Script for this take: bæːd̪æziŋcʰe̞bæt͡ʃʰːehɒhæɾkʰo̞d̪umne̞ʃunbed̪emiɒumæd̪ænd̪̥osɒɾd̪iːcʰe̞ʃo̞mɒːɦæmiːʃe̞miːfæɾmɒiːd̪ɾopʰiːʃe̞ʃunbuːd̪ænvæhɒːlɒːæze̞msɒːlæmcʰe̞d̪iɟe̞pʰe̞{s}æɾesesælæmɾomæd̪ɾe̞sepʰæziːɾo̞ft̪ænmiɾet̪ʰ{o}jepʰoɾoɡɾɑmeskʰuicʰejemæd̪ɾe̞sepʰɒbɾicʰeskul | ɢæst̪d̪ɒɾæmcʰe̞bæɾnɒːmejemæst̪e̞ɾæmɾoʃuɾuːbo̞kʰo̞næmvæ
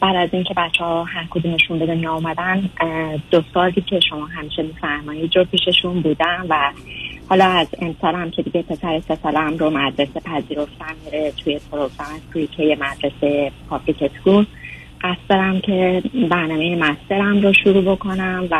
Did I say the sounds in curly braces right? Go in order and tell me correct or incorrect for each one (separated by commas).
correct, incorrect